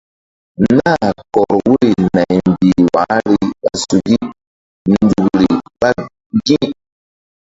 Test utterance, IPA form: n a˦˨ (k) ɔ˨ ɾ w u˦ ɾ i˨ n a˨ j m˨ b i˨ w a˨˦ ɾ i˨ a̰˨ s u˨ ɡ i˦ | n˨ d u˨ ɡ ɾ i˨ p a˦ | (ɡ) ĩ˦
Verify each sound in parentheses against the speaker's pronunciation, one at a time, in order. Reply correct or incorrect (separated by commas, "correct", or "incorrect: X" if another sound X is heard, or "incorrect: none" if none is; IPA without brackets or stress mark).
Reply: correct, correct